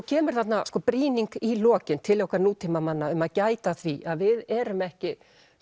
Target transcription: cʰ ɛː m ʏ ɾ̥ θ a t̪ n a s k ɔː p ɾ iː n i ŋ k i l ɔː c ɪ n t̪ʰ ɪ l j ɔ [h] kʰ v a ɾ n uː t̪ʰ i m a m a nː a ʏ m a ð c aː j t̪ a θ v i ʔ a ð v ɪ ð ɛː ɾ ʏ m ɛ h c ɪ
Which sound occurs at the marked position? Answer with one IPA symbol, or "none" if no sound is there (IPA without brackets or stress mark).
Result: h